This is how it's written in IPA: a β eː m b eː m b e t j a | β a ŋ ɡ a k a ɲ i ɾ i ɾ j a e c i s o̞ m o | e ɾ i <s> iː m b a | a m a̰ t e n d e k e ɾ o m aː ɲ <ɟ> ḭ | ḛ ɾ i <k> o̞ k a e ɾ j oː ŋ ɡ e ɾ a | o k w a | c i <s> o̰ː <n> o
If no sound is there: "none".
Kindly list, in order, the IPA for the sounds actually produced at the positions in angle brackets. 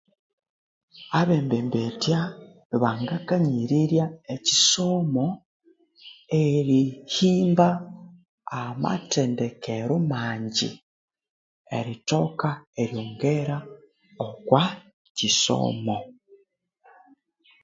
h, ɟ, t, s, m

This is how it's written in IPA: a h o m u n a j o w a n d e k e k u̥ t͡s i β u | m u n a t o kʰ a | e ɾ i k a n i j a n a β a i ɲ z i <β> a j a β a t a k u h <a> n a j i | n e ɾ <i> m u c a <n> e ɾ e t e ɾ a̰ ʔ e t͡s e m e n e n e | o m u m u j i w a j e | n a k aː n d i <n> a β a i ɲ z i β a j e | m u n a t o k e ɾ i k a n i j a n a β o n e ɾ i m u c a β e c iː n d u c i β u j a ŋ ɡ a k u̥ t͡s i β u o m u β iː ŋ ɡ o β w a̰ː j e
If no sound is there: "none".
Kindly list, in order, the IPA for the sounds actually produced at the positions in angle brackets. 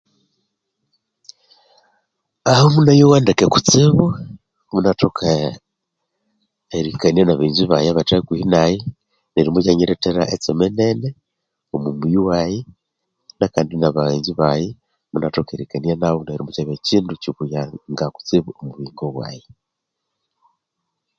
β, i, i, ɲ, n

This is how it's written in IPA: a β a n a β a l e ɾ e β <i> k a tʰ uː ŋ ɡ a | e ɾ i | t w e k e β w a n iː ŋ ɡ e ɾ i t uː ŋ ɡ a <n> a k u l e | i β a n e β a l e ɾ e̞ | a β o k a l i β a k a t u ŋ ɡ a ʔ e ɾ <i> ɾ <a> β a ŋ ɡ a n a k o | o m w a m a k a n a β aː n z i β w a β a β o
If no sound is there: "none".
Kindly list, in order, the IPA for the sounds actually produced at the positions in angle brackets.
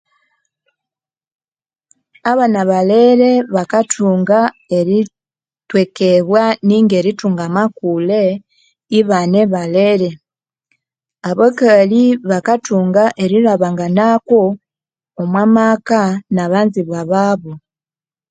a, m, i, a

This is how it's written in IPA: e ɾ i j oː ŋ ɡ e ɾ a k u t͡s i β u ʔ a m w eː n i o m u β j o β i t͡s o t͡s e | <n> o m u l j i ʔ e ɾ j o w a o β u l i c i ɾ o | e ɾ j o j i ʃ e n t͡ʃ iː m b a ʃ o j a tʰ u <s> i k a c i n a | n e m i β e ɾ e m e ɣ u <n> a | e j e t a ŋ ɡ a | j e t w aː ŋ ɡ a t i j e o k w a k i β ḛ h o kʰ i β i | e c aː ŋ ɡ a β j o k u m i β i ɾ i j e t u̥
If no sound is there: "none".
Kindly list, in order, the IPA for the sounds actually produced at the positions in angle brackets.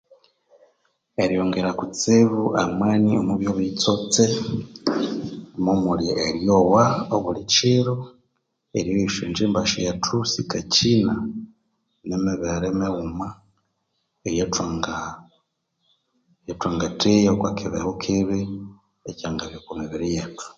m, s, m

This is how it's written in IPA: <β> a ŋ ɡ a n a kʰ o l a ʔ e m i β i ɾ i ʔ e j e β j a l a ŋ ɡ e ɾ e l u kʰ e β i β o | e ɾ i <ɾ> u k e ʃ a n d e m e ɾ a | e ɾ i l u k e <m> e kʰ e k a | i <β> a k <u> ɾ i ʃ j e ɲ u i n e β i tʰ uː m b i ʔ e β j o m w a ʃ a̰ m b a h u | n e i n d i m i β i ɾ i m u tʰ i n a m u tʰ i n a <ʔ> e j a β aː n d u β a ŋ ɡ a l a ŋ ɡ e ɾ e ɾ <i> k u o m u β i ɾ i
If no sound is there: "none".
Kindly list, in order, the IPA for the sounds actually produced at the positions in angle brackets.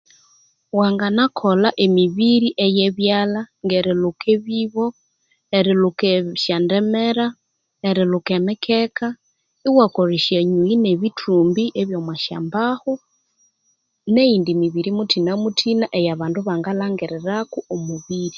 w, l, m, w, o, ʔ, a

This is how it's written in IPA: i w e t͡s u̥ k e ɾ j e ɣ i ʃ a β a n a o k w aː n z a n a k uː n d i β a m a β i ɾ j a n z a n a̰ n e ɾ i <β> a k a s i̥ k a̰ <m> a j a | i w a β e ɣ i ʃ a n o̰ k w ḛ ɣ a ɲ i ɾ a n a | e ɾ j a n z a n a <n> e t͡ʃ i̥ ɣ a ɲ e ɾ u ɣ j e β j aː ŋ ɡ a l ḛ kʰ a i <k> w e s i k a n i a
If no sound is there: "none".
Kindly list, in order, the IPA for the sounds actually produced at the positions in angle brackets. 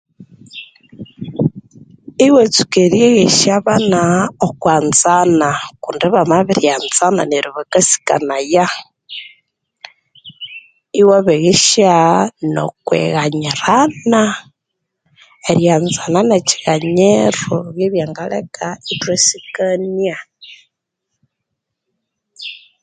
β, n, n, t

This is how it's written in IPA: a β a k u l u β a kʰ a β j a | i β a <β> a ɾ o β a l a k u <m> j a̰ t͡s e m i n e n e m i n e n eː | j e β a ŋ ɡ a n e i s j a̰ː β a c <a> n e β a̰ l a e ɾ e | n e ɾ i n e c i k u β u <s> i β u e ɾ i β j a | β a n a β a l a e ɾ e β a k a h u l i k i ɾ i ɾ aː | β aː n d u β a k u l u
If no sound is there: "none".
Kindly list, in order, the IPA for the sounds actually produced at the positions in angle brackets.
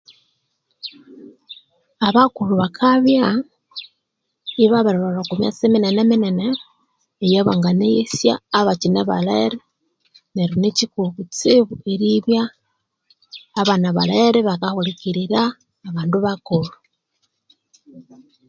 β, m, i, t͡s

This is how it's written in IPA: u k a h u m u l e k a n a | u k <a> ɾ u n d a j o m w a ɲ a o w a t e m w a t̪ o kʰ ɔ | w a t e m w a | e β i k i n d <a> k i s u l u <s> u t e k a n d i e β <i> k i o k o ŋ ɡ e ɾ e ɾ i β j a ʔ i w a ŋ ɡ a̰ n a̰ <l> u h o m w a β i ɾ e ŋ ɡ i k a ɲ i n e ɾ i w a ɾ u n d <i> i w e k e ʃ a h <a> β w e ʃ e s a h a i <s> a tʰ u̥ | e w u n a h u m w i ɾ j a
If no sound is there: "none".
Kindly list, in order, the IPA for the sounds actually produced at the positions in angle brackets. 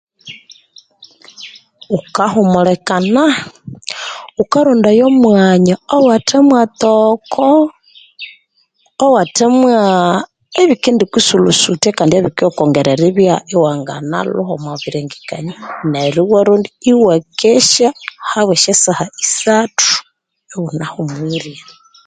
a, i, s, i, l, i, a, s

